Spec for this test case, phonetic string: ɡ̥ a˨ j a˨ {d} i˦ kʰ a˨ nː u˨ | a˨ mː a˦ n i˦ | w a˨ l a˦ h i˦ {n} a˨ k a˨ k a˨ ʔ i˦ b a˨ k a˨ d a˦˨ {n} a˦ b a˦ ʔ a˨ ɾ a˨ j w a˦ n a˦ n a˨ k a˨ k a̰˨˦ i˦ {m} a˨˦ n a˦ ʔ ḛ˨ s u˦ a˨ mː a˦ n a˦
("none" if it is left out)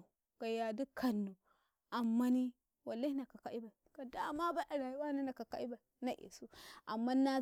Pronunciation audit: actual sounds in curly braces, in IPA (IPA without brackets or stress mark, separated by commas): d, n, m, b